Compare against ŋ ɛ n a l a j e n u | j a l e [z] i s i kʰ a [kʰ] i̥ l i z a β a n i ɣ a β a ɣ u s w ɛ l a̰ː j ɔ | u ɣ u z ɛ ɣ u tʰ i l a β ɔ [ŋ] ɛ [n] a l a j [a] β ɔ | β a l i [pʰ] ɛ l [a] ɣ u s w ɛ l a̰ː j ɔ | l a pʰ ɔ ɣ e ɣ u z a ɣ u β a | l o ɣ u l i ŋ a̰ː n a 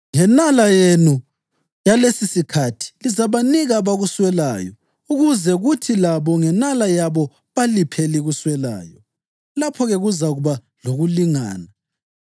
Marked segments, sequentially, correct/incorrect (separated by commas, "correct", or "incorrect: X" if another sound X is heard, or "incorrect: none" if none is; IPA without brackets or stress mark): incorrect: s, incorrect: tʰ, correct, correct, correct, correct, incorrect: i